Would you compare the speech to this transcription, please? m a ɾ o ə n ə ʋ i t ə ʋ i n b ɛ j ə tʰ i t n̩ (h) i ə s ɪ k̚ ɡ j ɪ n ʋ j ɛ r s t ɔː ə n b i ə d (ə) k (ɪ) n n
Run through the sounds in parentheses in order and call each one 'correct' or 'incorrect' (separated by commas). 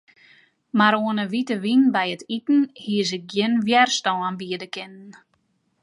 correct, correct, correct